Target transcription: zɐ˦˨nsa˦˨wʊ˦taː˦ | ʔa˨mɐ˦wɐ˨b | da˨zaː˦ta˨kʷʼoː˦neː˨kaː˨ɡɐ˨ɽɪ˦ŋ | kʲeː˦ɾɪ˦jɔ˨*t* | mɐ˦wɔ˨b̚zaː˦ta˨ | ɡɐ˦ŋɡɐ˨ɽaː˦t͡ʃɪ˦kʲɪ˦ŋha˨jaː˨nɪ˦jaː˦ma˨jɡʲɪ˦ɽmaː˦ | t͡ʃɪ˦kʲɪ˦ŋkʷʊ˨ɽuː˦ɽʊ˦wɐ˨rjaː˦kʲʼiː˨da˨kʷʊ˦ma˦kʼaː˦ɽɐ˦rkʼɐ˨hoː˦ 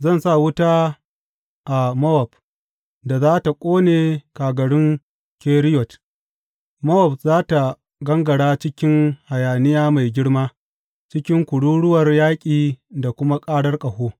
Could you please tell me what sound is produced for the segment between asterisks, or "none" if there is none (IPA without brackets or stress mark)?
t